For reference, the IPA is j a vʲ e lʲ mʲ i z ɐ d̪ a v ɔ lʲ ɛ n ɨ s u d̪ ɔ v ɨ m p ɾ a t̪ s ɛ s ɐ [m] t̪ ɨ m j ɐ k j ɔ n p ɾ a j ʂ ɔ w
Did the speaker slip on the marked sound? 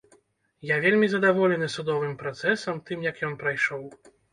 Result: no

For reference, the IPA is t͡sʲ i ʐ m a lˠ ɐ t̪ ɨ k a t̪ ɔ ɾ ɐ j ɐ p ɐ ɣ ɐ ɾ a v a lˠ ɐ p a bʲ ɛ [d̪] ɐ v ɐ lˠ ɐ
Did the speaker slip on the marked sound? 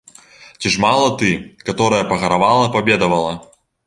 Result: no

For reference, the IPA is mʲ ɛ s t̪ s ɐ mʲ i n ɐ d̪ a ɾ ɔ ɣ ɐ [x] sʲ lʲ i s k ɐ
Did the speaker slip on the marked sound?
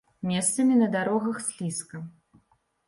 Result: no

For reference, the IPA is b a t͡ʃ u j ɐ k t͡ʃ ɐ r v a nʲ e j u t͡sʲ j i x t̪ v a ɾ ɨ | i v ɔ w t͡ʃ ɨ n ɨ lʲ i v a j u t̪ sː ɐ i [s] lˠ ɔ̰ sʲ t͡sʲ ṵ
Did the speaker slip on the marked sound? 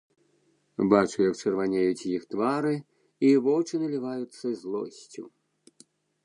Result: yes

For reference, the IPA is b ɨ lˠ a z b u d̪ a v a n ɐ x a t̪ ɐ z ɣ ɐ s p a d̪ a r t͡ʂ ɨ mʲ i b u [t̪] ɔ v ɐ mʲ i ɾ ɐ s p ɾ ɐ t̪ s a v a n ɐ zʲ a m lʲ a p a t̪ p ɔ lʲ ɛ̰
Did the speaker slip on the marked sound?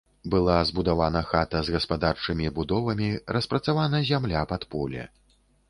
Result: yes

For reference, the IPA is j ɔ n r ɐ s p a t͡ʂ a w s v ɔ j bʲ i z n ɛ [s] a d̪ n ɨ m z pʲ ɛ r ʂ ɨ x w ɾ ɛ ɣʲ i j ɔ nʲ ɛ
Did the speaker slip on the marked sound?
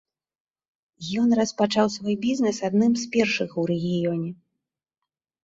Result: no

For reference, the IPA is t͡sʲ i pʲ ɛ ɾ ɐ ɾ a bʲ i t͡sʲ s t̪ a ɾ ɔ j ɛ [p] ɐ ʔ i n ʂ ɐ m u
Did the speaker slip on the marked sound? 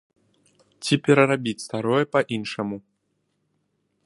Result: no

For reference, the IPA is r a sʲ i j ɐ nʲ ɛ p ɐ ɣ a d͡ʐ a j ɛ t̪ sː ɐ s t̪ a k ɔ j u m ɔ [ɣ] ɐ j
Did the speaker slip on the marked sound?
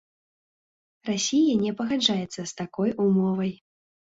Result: yes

